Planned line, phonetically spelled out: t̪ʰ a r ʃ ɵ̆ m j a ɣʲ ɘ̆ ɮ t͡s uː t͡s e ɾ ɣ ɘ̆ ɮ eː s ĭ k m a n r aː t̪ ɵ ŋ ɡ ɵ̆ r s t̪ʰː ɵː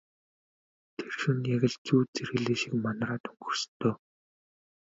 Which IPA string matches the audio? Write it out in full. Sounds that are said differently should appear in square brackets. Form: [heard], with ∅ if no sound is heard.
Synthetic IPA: t̪ʰ [e] r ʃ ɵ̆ [n] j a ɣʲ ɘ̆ ɮ t͡s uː t͡s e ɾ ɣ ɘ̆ ɮ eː [ʃ] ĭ k m a n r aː t̪ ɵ ŋ ɡ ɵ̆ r s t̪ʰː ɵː